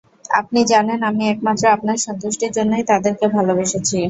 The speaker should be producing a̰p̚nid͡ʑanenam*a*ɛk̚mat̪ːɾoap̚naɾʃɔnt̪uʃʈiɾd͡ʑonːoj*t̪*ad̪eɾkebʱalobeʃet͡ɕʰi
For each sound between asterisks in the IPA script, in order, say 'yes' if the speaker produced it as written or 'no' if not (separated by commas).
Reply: no, yes